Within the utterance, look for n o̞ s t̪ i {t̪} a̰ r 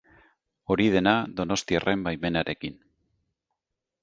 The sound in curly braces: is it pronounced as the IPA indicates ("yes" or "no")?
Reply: no